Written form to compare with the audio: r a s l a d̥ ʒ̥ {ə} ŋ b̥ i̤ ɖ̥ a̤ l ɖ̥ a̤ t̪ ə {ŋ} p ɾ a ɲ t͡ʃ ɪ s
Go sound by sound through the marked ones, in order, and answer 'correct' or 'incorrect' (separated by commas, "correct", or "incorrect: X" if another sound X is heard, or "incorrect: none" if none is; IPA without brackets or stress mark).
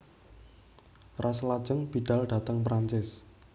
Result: correct, correct